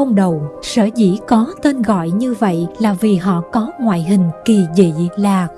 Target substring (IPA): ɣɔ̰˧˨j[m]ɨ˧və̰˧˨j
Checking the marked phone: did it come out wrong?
yes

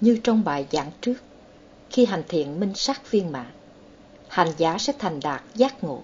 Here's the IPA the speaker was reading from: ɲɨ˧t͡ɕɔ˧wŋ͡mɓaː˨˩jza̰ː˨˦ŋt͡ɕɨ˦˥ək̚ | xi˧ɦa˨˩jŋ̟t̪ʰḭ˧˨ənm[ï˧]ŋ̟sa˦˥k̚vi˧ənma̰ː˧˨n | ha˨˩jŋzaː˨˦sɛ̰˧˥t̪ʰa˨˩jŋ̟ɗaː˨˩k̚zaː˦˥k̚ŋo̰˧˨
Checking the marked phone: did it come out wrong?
no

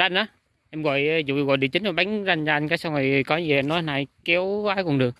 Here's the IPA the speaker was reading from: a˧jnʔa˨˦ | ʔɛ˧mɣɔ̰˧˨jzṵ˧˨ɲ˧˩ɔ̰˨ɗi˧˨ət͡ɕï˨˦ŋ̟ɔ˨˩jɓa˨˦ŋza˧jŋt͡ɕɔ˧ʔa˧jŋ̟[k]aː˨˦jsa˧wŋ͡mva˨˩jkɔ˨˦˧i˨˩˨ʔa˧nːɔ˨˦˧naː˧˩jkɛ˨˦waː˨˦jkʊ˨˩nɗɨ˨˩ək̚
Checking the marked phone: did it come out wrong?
no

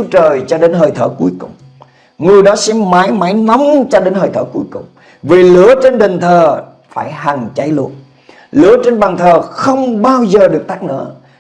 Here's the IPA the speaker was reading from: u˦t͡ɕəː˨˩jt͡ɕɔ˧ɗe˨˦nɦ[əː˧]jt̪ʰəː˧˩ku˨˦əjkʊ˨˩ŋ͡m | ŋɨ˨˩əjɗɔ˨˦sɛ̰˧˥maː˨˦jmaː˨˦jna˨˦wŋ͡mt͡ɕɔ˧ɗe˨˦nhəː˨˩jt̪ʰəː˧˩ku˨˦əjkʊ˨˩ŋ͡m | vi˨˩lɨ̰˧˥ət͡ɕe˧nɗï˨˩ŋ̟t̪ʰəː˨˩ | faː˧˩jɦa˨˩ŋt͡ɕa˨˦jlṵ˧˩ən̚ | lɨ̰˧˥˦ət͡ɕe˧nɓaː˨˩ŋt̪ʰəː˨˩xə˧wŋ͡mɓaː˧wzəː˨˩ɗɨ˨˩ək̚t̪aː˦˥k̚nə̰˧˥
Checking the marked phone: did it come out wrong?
yes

